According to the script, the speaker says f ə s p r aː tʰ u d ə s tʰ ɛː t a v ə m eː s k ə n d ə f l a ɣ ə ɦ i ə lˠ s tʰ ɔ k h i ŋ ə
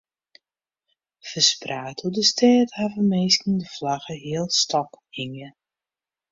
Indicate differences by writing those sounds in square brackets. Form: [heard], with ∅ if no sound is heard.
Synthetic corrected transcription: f ə s p r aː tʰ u d ə s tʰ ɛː t a v ə m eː s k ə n d ə f l a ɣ ə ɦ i ə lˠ s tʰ ɔ k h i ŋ ə

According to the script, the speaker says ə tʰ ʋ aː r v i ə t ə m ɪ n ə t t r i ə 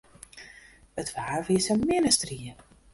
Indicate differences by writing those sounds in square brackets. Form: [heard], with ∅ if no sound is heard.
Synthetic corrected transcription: ə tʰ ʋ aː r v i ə [s] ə m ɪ n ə [s] t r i ə

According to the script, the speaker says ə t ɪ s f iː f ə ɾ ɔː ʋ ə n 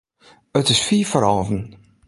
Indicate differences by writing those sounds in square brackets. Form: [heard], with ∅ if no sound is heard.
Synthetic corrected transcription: ə t ɪ s f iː f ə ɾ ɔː [v] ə n

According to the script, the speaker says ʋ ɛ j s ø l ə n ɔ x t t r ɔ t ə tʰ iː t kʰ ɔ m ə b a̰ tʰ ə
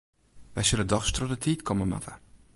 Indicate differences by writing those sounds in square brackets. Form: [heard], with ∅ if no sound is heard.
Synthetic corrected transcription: ʋ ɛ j s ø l ə [d] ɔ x [s] t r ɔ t ə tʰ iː t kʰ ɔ m ə [m] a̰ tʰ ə

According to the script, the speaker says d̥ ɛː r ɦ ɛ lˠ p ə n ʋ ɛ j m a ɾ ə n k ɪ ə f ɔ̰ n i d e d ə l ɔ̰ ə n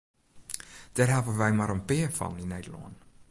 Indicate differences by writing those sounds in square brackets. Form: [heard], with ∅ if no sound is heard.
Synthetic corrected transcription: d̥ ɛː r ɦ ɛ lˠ p ə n ʋ ɛ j m a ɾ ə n [p] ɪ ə f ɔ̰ n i [n] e d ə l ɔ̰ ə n

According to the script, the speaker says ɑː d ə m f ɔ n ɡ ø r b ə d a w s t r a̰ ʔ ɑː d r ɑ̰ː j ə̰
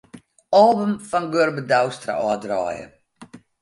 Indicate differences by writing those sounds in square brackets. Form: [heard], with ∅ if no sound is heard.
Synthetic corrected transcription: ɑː [b] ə m f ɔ n ɡ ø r b ə d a w s t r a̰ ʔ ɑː d r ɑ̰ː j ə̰

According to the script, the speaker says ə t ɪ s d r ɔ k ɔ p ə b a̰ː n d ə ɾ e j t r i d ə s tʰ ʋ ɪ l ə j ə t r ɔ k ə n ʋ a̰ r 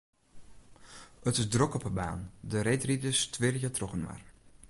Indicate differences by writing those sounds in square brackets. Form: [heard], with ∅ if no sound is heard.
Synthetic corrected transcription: ə t ɪ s d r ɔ k ɔ p ə b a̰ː n d ə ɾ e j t r i d ə s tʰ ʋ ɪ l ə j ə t r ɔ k ə n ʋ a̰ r

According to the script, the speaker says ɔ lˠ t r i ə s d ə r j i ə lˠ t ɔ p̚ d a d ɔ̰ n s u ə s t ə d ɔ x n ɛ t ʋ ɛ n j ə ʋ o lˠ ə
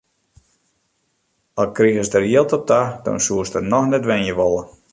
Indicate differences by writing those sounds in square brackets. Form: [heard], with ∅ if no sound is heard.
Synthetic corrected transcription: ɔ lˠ [k] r i ə s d ə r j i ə lˠ t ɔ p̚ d a d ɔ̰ n s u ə s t ə [n] ɔ x n ɛ t ʋ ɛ n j ə ʋ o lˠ ə

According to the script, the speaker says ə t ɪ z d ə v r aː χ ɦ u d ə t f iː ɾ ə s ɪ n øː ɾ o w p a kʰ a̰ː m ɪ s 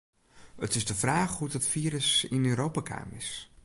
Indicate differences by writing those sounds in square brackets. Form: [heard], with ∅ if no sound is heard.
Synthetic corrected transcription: ə t ɪ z d ə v r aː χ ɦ u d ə t f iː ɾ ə s ɪ n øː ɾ o w p a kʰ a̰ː m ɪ s

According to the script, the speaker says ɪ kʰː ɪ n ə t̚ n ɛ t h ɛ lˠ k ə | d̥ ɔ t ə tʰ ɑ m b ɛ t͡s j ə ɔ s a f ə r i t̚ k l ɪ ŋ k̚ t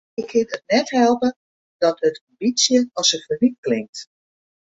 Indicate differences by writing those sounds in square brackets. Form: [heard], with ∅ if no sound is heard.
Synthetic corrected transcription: ɪ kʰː ɪ n ə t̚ n ɛ t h ɛ lˠ [p] ə | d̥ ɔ t ə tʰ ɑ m b [i] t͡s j ə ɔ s [ə] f ə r i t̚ k l ɪ ŋ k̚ t

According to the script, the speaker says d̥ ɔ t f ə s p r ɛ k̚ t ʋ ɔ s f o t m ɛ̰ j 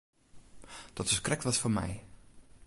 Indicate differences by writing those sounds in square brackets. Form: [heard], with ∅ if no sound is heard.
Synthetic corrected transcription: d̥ ɔ t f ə s [k] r ɛ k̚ t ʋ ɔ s f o [∅] m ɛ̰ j

